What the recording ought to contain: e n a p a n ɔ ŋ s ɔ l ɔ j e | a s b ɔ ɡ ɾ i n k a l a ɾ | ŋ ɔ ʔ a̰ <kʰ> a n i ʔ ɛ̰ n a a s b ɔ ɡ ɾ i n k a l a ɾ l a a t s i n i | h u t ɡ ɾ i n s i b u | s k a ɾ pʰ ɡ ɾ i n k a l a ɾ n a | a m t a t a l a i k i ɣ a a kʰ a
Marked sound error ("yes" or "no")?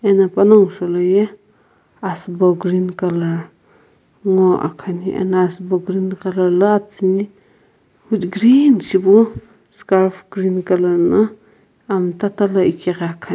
no